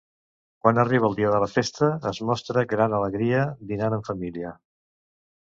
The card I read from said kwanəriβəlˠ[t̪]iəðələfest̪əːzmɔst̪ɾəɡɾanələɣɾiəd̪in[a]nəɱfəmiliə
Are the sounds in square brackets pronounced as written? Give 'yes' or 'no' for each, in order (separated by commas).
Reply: no, yes